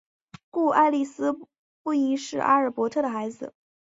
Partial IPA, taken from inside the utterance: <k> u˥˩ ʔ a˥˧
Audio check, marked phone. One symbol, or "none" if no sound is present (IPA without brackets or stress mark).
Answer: k